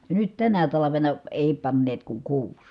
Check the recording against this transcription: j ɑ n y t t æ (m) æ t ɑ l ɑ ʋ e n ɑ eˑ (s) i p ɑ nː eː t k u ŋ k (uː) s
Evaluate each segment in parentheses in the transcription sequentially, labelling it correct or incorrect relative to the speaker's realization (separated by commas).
incorrect, incorrect, correct